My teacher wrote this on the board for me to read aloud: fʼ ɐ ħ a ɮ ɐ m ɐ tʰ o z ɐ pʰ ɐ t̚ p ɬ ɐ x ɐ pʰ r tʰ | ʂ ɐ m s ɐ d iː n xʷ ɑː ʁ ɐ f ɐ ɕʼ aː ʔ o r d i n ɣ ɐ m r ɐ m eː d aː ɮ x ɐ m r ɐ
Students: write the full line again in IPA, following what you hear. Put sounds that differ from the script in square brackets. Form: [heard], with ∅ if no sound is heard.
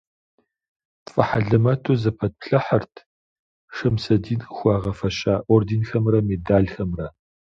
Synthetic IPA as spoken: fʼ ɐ ħ a ɮ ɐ m ɐ tʰ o z ɐ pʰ ɐ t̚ p ɬ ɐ [ħ] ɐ [∅] r tʰ | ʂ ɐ m s ɐ d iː n xʷ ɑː ʁ ɐ f ɐ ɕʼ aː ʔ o r d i n [x] ɐ m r ɐ m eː d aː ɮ x ɐ m r ɐ